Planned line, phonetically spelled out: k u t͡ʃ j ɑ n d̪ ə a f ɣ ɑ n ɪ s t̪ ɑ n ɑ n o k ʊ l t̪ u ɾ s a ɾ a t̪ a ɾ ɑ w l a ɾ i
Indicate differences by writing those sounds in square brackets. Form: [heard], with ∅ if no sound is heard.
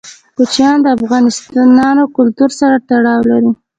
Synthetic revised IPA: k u t͡ʃ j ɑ n d̪ ə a f ɣ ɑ n ɪ s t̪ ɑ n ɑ n o k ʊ l t̪ u ɾ s a ɾ a t̪ a [ɽ] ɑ w l a ɾ i